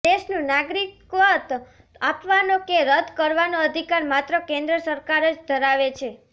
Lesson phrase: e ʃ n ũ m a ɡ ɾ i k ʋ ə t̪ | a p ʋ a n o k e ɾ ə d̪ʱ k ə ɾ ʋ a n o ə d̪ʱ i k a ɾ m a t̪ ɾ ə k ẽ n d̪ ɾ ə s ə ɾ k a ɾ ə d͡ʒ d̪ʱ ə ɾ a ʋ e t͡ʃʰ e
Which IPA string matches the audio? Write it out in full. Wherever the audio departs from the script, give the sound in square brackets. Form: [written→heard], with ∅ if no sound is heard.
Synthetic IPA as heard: e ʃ n ũ [m→n] a ɡ ɾ i k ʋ ə t̪ | a p ʋ a n o k e ɾ ə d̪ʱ k ə ɾ ʋ a n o ə d̪ʱ i k a ɾ m a t̪ ɾ ə k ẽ n d̪ ɾ ə s ə ɾ k a ɾ ə d͡ʒ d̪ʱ ə ɾ a ʋ e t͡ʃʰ e